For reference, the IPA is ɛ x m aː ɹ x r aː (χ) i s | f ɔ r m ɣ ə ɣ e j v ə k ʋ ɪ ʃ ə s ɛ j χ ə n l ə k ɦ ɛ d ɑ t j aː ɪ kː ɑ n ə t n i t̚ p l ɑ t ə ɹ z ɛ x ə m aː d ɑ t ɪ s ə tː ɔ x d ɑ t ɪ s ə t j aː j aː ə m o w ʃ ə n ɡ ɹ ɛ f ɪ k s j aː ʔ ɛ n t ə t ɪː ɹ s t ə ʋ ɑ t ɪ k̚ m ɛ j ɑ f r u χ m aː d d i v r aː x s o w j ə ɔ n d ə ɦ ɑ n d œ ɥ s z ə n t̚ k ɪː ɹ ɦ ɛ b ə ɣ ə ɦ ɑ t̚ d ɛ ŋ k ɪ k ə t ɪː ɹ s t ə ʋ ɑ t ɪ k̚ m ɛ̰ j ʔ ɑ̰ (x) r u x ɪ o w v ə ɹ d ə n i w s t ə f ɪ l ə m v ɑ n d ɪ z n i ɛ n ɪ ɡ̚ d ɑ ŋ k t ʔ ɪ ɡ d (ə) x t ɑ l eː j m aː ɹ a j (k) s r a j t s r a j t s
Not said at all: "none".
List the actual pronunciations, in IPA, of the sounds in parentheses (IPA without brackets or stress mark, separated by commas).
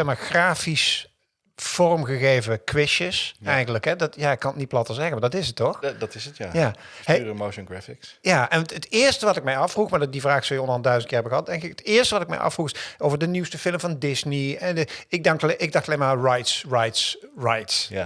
f, f, ɑ, t